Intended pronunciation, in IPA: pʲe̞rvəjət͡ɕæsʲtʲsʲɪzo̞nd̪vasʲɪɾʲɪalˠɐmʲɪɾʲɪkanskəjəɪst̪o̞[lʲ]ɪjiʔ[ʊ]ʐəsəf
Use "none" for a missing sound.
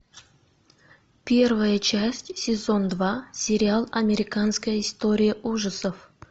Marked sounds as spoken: ɾʲ, u

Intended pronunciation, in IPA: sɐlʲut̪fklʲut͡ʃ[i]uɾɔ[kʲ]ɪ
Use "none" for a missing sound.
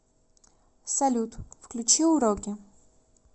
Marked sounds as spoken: i, kʲ

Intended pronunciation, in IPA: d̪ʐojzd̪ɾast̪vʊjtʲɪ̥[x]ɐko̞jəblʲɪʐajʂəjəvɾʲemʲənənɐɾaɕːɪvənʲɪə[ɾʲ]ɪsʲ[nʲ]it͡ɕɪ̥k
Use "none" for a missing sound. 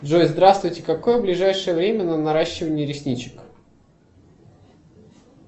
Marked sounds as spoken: k, ɾʲ, nʲ

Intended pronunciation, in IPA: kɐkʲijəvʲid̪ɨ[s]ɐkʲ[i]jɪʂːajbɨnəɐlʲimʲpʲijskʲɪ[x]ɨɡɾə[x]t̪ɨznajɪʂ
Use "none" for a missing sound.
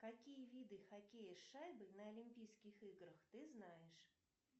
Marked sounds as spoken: x, e, x, x

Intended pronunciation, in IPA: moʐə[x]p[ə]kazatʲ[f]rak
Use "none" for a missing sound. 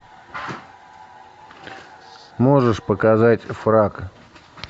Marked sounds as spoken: ʂ, ə, f

